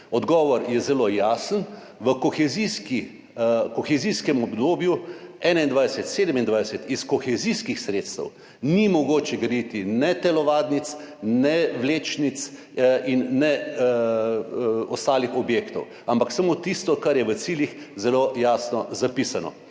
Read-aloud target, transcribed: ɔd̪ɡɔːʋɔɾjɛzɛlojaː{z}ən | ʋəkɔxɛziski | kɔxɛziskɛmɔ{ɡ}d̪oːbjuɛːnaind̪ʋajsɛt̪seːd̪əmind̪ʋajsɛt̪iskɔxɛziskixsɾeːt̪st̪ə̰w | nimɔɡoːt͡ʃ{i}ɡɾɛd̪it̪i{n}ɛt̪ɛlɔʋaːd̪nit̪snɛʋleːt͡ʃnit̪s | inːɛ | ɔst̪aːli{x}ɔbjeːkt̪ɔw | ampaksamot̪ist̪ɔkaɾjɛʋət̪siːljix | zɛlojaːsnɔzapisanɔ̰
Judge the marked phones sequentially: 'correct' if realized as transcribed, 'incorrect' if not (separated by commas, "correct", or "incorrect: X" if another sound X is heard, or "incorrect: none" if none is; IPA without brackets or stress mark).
incorrect: s, incorrect: b, incorrect: ɛ, correct, correct